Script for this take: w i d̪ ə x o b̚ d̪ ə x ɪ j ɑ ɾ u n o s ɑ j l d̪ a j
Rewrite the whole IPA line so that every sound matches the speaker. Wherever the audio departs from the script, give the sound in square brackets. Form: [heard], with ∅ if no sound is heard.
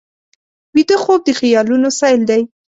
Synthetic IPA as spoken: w i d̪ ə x o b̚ d̪ ə x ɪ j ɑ [l] u n o s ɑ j l d̪ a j